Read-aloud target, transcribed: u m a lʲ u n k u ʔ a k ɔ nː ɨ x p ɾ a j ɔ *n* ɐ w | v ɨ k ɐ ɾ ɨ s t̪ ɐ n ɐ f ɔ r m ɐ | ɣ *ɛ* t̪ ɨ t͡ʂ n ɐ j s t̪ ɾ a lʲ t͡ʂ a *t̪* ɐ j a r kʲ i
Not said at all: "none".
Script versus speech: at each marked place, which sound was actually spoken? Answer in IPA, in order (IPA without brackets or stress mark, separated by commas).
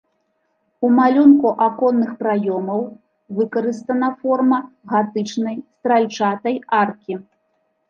m, a, t̪